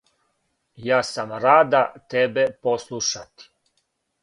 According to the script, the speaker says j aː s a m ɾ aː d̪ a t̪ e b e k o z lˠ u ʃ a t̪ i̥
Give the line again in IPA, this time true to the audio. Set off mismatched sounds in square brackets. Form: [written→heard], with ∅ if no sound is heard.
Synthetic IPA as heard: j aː s a m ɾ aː d̪ a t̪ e b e [k→p] o [z→s] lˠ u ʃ a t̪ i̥